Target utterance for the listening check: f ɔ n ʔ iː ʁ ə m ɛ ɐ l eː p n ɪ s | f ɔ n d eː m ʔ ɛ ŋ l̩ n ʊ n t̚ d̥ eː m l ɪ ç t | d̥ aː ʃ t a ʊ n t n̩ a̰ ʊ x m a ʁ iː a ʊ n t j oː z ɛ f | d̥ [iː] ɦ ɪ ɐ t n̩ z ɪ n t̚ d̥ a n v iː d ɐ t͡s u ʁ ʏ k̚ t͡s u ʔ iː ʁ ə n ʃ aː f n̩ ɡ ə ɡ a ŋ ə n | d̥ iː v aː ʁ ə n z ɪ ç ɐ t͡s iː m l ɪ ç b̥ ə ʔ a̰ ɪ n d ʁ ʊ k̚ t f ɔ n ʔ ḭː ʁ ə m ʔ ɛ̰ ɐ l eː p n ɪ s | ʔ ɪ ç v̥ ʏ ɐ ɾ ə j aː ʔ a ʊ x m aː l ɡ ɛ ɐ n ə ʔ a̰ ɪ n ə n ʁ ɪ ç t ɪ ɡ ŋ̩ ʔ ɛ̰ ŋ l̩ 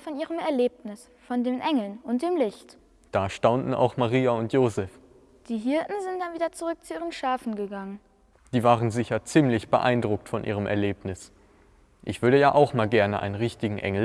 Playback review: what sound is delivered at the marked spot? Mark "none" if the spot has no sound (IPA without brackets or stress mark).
iː